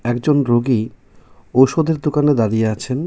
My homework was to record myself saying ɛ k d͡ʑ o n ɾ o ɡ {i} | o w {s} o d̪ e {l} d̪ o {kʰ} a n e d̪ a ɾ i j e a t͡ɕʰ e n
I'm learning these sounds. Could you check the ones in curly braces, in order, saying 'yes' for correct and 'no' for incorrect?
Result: yes, no, no, no

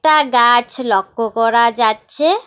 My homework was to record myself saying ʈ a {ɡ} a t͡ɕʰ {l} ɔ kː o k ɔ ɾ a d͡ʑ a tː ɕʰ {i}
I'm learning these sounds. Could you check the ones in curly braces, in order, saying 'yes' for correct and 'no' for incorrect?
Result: yes, yes, no

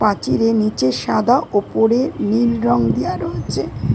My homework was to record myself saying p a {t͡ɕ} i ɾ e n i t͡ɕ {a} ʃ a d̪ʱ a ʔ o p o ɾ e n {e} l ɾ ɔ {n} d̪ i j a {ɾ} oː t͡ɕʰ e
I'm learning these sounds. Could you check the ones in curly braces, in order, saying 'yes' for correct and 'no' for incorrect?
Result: yes, no, no, no, yes

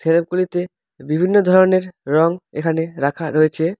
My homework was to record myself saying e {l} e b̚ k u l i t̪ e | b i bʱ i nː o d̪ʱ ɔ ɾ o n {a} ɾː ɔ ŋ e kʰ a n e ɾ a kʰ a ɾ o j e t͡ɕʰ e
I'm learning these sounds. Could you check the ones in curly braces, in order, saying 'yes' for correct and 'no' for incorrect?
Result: yes, no

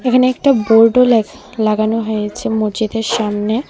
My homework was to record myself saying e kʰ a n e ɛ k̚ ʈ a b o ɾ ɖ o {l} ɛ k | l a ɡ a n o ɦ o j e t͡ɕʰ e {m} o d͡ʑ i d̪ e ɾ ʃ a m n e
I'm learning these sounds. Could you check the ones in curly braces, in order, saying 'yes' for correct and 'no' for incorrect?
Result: yes, yes

